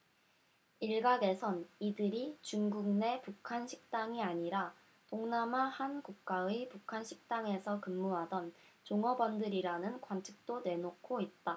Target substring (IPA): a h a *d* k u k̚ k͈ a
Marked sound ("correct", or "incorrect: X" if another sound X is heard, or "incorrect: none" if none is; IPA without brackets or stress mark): incorrect: n